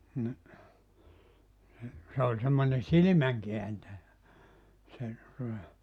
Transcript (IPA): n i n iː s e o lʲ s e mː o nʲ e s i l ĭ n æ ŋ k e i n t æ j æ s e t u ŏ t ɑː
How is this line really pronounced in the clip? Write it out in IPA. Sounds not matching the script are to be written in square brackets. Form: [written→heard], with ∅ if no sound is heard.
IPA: n i n [iː→i] s e o lʲ s e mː o nʲ e s i l ĭ [n→m] æ ŋ k e [i→æ] n t æ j æ s e t u ŏ t [ɑː→ɑ]